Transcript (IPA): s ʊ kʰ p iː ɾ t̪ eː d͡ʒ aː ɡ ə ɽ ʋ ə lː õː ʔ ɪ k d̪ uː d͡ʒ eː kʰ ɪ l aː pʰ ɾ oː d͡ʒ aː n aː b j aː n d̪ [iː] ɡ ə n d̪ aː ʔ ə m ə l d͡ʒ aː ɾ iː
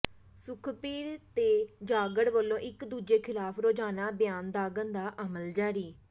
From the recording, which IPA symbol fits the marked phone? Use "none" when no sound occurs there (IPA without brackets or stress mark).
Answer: aː